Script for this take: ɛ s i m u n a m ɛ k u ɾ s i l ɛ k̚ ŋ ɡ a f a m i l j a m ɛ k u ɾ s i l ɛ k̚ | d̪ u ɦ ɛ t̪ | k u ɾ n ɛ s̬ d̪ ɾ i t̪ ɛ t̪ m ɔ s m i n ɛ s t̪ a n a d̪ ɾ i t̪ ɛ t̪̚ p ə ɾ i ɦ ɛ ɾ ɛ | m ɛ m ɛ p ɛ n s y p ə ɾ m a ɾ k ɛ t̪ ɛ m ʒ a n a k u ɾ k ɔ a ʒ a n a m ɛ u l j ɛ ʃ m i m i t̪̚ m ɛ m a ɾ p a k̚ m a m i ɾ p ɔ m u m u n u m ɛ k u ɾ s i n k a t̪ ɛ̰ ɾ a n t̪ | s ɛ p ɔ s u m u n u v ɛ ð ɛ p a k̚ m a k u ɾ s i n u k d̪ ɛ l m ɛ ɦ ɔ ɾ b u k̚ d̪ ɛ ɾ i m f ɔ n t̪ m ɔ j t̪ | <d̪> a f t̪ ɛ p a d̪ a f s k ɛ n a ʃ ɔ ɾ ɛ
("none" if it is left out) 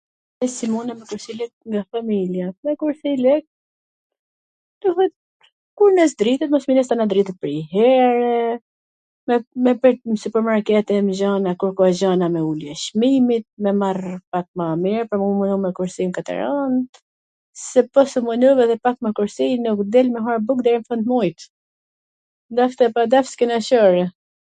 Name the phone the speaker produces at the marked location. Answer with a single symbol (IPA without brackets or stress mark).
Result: d̪